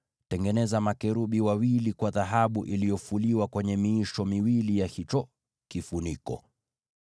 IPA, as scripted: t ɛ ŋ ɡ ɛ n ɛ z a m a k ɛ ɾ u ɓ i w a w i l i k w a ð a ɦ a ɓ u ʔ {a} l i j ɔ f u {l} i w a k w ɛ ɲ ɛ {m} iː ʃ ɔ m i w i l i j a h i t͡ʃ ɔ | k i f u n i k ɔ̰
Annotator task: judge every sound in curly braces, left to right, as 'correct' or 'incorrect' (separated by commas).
incorrect, correct, correct